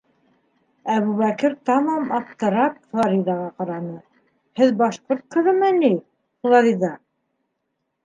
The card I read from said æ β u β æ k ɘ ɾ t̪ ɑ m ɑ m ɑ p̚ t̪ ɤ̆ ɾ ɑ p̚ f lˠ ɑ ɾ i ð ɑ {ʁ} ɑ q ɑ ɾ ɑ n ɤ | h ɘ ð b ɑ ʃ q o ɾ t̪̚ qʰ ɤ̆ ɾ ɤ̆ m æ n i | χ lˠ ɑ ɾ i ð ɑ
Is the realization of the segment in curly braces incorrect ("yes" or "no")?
no